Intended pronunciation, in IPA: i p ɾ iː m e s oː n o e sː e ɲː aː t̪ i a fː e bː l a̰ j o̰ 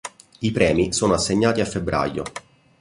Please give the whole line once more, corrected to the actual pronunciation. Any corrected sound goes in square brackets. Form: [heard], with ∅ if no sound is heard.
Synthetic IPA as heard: i p ɾ [ɛː] m [i] s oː n o [a] sː e ɲː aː t̪ i a fː e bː [ɾ] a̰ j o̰